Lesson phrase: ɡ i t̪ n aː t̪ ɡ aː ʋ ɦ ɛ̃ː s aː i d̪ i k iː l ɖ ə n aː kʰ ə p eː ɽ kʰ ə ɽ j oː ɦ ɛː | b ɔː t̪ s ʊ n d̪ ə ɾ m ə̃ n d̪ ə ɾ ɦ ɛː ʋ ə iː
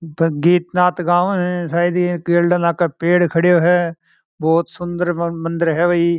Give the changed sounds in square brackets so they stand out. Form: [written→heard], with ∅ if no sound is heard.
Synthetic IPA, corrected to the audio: ɡ [i→iː] t̪ n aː t̪ ɡ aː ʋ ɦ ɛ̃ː s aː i d̪ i k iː l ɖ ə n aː [kʰ→k] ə p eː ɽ kʰ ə ɽ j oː ɦ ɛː | b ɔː t̪ s ʊ n d̪ ə ɾ m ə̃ n d̪ ə ɾ ɦ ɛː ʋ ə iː